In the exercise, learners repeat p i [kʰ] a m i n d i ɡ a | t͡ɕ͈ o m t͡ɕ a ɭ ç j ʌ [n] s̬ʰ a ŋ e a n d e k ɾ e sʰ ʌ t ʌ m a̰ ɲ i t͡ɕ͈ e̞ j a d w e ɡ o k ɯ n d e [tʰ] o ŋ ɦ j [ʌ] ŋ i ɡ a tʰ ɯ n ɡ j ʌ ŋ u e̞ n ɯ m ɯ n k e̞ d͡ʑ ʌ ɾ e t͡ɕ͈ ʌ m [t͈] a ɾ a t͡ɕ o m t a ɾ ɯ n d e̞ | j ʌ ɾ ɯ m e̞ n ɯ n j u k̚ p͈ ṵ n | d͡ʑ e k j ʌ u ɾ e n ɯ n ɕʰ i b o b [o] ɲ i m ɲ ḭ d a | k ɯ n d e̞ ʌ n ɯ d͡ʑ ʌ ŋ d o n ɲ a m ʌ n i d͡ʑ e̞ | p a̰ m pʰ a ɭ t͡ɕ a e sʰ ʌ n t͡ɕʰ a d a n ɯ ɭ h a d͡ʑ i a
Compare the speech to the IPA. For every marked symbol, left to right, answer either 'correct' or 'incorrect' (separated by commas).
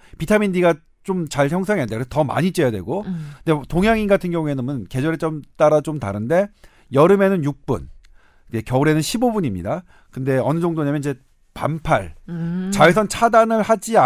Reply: incorrect, incorrect, incorrect, incorrect, correct, incorrect